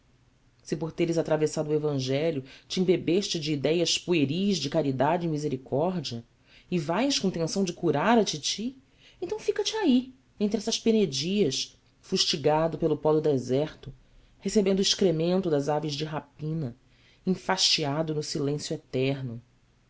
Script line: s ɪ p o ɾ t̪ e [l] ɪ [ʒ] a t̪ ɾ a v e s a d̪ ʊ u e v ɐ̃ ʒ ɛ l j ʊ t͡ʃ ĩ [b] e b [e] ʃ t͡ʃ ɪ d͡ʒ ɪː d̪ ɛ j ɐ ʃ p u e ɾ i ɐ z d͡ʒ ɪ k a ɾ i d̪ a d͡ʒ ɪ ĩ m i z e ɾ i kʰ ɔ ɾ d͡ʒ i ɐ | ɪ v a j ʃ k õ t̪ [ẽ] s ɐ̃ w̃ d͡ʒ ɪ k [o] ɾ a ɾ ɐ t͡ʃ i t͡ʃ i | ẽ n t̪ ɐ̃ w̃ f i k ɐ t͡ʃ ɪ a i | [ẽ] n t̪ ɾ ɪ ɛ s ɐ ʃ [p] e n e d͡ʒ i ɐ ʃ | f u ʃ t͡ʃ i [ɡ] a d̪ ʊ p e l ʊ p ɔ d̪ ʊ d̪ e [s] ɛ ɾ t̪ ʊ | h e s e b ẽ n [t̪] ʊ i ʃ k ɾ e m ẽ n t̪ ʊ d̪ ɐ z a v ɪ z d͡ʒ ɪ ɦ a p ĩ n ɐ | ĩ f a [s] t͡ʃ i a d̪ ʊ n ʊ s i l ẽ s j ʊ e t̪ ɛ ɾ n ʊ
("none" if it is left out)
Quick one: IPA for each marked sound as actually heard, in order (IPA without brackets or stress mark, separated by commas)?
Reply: ɾ, z, b, e, ẽ, u, ẽ, p, ɡ, z, d̪, ʃ